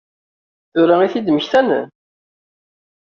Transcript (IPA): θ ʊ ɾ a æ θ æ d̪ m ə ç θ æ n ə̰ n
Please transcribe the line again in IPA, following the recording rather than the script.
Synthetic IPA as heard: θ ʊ ɾ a i θ i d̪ m ə ç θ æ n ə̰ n